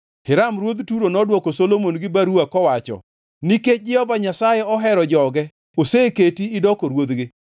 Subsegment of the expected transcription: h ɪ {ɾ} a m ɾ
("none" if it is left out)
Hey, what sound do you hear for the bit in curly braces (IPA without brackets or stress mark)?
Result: ɾ